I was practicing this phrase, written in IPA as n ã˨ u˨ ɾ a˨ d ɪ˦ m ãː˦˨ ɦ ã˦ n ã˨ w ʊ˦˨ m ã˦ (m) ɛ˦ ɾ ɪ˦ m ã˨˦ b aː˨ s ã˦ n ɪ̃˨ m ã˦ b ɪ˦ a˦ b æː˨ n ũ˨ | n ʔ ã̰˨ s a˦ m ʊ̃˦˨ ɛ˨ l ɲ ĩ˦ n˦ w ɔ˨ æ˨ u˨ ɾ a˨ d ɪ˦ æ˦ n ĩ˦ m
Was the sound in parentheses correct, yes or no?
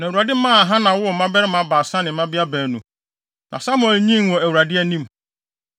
no